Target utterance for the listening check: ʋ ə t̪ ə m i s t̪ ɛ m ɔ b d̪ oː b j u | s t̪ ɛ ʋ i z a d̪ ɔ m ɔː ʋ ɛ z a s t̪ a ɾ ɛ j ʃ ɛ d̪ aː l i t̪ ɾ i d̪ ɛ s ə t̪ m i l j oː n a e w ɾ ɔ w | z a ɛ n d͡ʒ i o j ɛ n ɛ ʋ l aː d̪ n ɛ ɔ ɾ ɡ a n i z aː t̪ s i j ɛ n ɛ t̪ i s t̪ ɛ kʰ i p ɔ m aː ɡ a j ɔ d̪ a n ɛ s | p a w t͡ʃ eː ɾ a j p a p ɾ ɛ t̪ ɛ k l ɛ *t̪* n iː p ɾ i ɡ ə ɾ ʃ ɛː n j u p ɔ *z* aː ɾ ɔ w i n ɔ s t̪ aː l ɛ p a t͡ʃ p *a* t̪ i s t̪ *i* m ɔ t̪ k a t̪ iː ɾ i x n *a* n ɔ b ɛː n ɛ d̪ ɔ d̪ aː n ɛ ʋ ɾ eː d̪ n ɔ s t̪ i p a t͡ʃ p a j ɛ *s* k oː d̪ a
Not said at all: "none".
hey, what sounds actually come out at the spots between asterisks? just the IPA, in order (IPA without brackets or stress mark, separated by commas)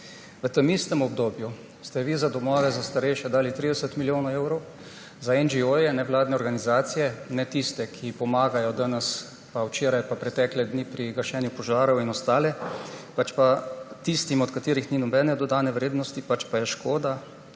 d̪, ʒ, a, i, i, ʃ